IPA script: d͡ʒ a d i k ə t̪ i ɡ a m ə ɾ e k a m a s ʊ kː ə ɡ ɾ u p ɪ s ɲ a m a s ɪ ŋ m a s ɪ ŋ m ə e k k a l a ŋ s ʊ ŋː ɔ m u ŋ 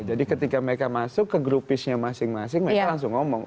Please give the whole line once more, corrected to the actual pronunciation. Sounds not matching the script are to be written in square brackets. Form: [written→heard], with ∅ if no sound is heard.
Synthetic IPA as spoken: d͡ʒ a d i k ə t̪ i [ɡ→k] a m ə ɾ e k a m a s ʊ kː ə ɡ ɾ u p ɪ s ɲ a m a s ɪ ŋ m a s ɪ ŋ m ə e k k a l a ŋ s ʊ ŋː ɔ m [u→ɔ] ŋ